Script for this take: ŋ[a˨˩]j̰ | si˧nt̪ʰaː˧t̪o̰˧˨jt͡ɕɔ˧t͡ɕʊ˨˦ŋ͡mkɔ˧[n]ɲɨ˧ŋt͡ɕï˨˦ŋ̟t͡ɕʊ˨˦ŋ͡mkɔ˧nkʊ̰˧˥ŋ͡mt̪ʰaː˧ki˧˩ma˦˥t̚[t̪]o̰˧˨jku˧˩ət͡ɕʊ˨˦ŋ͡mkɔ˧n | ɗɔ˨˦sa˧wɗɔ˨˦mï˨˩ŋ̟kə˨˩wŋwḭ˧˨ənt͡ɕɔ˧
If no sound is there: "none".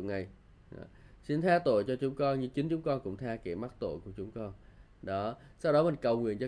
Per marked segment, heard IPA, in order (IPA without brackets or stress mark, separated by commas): a˨˩, n, t̪